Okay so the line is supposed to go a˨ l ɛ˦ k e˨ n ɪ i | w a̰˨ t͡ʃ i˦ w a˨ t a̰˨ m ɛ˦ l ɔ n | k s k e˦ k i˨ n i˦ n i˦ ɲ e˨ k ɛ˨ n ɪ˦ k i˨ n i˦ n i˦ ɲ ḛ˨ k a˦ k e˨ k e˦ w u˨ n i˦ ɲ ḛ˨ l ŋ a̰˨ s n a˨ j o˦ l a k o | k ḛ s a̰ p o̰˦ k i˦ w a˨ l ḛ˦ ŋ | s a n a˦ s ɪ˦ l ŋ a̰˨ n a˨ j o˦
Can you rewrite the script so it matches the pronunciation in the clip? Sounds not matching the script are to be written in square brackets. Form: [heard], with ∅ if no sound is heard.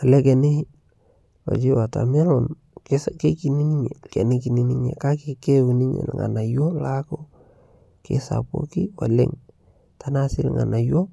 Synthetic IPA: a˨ l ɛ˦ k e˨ n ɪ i | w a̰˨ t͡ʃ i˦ w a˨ t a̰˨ m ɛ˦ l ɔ n | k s k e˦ k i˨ n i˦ n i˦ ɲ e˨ k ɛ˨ n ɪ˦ k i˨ n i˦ n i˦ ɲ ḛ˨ k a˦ k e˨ k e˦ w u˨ n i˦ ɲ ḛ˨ l ŋ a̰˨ [∅] n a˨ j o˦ l a k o | k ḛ s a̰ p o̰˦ k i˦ w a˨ l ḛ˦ ŋ | [t] a n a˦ s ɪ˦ l ŋ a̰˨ n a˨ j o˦

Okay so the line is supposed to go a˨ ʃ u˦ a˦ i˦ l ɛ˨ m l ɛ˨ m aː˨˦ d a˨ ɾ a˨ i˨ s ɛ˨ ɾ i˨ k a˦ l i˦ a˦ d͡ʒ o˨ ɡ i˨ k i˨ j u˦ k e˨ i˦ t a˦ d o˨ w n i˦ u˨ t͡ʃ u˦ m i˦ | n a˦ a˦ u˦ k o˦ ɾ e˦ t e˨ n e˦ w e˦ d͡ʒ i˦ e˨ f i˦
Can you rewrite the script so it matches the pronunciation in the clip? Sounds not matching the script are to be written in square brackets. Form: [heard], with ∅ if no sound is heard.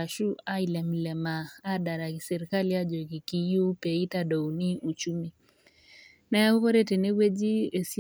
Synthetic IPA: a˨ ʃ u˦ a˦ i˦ l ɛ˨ m l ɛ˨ m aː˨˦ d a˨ ɾ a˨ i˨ s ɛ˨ ɾ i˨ k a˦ l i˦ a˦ d͡ʒ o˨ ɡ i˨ k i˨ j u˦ [p] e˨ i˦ t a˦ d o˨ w n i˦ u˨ t͡ʃ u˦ m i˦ | n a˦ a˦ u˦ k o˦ ɾ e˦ t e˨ n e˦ w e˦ d͡ʒ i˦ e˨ [s] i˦

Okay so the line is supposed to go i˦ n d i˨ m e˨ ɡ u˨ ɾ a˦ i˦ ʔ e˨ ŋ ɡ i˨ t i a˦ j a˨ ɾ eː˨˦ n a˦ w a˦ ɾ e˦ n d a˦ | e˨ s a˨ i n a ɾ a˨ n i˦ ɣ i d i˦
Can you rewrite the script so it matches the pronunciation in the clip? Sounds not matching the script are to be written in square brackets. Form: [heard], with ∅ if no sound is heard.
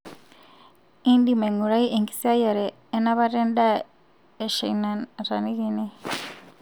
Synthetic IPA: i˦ n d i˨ m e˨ [ŋ] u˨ ɾ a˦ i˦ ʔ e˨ ŋ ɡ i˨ [s] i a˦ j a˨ ɾ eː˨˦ n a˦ [β] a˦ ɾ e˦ n d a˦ | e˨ [ʃ] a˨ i n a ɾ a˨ n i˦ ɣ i [n] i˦

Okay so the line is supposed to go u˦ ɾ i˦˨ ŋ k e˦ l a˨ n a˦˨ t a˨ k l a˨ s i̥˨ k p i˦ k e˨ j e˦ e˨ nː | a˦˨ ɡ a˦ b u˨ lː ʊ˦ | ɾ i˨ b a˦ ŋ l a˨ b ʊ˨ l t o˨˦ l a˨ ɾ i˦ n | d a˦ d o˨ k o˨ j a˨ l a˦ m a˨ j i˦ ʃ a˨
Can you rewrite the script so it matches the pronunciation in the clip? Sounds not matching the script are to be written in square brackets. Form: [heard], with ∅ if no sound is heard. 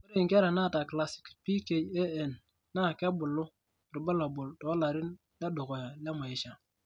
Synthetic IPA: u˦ ɾ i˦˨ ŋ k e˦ [ɾ] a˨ n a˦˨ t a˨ k l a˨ s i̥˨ k p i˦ k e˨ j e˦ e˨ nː | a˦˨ [k] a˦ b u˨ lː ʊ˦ | ɾ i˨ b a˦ [∅] l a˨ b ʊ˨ l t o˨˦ l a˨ ɾ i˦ n | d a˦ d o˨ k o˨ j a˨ l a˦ m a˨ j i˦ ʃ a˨

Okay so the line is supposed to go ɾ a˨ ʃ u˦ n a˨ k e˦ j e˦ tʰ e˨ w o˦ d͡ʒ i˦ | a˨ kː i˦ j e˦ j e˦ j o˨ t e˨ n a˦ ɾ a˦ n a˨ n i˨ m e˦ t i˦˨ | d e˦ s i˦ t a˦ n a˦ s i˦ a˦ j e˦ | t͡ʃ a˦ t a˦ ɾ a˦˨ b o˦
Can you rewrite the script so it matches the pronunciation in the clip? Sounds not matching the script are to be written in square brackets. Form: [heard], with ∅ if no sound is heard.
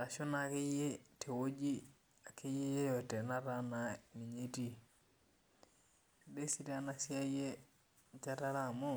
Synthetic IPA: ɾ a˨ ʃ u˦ n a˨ k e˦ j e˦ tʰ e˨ w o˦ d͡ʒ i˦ | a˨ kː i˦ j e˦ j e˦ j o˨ t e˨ n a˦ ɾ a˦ n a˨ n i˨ [ɲ] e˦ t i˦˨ | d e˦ s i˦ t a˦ n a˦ s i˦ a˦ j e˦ | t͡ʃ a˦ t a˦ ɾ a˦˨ [m] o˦

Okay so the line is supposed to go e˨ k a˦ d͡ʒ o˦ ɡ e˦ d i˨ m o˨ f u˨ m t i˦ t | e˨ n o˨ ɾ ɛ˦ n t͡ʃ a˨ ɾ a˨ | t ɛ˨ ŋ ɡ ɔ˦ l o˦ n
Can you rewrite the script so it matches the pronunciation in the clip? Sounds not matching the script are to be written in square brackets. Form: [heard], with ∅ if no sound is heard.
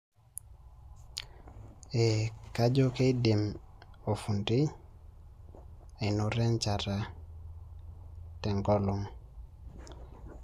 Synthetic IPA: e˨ k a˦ d͡ʒ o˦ [k] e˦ d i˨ m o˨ f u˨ [n] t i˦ [∅] | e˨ n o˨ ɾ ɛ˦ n t͡ʃ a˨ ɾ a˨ | t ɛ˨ ŋ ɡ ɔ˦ l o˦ [ŋ]

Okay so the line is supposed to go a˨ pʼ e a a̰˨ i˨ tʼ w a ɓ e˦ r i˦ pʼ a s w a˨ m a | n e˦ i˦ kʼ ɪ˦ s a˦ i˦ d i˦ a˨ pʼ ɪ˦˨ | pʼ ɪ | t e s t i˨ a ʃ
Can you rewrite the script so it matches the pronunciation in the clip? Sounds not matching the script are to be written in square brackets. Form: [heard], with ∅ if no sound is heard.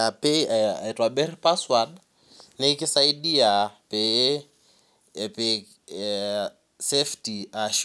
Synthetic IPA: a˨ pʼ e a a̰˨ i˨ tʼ w a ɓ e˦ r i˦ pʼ a s w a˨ [n] a | n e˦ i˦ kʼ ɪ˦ s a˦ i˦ d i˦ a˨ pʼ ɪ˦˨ | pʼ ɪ | [s] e [f] t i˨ a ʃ

